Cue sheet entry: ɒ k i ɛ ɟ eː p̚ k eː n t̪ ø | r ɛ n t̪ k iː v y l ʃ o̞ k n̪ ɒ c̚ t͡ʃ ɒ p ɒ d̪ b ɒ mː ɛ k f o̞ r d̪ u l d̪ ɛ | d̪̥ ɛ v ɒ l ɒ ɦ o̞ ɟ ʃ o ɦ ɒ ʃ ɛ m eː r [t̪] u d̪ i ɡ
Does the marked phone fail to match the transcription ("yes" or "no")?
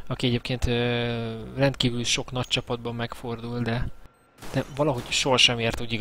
no